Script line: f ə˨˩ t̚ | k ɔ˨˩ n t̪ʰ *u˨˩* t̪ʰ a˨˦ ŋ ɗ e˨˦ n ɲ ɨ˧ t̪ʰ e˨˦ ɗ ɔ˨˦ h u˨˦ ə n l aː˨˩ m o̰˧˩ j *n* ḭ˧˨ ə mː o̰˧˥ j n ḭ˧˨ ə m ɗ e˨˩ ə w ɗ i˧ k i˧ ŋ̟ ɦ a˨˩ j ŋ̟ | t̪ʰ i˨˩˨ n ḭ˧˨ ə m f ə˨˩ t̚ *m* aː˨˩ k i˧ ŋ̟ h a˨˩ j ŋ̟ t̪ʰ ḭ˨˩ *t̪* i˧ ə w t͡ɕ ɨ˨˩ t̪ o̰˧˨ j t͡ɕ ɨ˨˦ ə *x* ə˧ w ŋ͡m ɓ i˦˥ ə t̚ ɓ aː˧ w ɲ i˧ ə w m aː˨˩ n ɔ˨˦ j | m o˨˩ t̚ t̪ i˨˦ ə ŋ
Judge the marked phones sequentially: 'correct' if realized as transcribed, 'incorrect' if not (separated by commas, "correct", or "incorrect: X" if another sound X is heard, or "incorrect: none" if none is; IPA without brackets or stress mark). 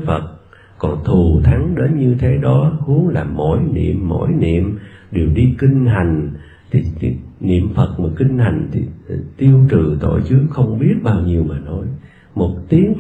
correct, correct, correct, correct, correct